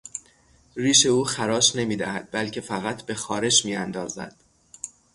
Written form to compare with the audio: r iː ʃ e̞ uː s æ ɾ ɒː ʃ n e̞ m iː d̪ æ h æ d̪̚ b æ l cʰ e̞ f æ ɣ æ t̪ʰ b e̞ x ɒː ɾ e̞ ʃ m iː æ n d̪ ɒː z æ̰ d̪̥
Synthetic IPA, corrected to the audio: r iː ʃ e̞ uː x æ ɾ ɒː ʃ n e̞ m iː d̪ æ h æ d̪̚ b æ l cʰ e̞ f æ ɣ æ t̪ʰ b e̞ x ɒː ɾ e̞ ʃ m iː æ n d̪ ɒː z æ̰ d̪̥